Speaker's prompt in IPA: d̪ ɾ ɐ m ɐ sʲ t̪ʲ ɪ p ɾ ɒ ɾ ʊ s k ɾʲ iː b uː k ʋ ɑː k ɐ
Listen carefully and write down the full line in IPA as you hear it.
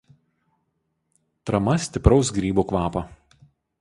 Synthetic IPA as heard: t̪ ɾ ɐ m ɐ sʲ t̪ʲ ɪ p ɾ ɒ ʊ s ɡ ɾʲ iː b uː k ʋ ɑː p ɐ